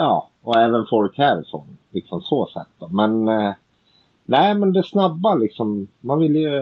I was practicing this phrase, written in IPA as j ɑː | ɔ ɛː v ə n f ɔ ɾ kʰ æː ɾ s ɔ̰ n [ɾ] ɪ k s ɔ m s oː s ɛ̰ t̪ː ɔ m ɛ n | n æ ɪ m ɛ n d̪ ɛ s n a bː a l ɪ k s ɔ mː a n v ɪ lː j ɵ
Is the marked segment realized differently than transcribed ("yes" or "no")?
yes